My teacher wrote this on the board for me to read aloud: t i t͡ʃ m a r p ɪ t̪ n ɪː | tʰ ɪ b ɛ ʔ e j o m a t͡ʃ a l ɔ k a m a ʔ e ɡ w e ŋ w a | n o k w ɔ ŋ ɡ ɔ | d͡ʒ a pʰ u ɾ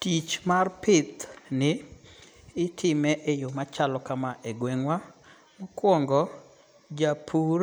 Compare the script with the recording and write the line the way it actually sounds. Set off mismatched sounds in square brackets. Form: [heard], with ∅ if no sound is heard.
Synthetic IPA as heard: t i t͡ʃ m a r p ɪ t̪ n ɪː | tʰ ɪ [m] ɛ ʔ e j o m a t͡ʃ a l ɔ k a m a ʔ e ɡ w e ŋ w a | [m] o k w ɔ ŋ ɡ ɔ | d͡ʒ a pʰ u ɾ